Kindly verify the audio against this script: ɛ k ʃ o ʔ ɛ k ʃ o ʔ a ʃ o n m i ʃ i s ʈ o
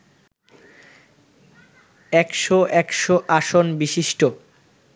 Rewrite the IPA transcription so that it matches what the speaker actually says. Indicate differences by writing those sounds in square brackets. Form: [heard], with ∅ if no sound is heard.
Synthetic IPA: ɛ k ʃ o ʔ ɛ k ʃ o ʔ a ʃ o n [b] i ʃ i [ʃ] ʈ o